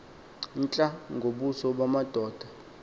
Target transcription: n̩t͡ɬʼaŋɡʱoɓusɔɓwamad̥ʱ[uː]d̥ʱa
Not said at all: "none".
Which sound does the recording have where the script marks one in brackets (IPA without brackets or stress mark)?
ɔː